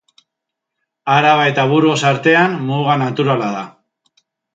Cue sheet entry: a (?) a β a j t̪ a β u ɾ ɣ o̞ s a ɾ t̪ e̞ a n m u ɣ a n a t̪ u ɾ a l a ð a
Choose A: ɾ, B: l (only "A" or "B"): A